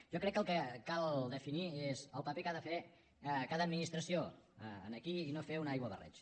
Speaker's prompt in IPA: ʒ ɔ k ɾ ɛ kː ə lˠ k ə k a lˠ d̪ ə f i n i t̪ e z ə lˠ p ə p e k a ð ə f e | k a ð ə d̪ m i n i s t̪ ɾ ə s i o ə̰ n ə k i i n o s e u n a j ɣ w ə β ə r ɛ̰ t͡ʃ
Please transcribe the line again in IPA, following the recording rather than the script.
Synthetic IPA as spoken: ʒ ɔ k ɾ ɛ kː ə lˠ k ə k a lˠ d̪ ə f i n i e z ə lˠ p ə p e k a ð ə f e | k a ð ə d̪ m i n i s t̪ ɾ ə s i o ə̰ n ə k i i n o f e u n a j ɣ w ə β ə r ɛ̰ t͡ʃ